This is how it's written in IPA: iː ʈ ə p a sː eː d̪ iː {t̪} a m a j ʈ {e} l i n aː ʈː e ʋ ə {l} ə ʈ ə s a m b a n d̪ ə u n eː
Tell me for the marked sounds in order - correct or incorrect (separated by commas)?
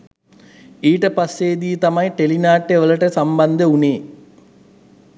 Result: correct, correct, correct